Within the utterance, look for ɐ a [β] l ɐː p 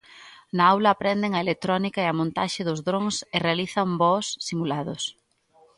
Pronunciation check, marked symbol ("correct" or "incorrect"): incorrect